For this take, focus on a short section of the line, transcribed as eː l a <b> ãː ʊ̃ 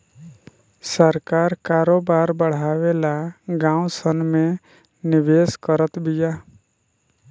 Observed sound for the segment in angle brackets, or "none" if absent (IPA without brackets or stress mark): ɡ